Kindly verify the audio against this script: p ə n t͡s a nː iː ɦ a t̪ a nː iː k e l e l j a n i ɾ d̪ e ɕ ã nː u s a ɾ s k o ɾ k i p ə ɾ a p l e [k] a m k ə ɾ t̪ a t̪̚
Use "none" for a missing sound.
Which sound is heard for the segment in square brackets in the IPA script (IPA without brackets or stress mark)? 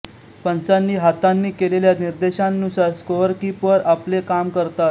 k